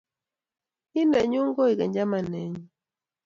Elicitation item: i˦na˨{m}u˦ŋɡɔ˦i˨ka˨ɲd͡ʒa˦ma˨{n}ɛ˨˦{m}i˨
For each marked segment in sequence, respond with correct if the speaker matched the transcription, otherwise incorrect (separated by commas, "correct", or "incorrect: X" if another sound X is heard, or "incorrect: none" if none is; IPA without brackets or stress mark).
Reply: incorrect: ɲ, correct, incorrect: ɲ